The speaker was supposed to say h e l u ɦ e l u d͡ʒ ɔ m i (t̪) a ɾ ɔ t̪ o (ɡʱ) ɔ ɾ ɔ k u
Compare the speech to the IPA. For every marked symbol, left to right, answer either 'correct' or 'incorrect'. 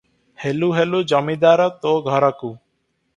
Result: incorrect, correct

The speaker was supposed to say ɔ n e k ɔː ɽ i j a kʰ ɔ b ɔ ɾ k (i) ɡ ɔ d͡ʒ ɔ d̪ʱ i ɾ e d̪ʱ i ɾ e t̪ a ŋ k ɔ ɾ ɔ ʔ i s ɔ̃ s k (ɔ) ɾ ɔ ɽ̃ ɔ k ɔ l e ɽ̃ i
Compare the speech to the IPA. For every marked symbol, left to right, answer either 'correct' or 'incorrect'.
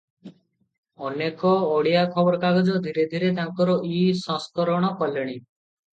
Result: incorrect, correct

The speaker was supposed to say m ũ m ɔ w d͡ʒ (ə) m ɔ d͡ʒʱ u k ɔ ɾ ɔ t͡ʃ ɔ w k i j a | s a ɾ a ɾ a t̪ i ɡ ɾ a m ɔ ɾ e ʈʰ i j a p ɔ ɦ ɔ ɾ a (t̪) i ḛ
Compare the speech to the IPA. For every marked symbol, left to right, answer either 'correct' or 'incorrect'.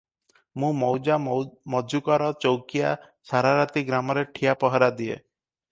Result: incorrect, incorrect

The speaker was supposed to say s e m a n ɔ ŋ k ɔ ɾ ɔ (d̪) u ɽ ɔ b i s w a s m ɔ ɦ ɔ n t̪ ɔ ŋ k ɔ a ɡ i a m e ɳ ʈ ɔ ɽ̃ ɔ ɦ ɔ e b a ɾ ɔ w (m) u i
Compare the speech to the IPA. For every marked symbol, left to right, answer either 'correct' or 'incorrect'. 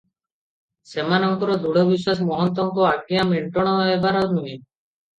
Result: correct, incorrect

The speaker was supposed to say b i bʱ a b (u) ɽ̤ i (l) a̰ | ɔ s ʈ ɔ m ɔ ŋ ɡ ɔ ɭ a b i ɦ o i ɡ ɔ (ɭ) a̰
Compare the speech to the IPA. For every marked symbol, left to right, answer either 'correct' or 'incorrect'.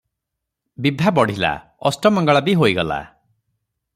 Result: incorrect, correct, incorrect

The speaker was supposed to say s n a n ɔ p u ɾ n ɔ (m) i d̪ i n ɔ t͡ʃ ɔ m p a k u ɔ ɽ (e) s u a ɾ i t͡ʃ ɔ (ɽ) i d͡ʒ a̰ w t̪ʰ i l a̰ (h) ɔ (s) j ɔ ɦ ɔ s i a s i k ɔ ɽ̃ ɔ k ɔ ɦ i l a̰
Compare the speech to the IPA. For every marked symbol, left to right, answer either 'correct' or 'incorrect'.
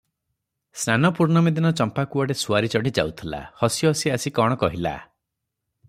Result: correct, correct, correct, correct, correct

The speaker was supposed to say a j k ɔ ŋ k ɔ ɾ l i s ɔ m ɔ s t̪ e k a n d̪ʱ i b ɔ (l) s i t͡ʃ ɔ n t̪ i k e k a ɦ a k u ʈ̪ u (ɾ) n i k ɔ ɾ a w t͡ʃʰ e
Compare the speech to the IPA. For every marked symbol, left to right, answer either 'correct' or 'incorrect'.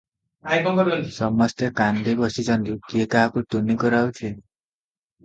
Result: incorrect, incorrect

